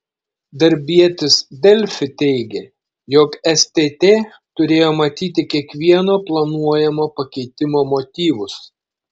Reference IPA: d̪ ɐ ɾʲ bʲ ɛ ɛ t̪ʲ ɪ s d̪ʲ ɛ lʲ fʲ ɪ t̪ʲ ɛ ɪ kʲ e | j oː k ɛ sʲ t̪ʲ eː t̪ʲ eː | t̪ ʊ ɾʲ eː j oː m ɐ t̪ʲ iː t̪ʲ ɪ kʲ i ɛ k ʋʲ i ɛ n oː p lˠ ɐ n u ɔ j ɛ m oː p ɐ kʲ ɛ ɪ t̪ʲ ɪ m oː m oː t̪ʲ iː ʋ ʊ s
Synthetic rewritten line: d̪ ɐ ɾʲ bʲ i ɛ t̪ʲ ɪ s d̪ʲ ɛ lʲ fʲ ɪ t̪ʲ ɛ ɪ ɡʲ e | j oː k ɛ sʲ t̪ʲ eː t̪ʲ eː | t̪ ʊ ɾʲ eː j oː m ɐ t̪ʲ iː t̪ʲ ɪ kʲ i ɛ k ʋʲ i ɛ n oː p lˠ ɐ n u ɔ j ɛ m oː p ɐ kʲ ɛ ɪ t̪ʲ ɪ m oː m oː t̪ʲ iː ʋ ʊ s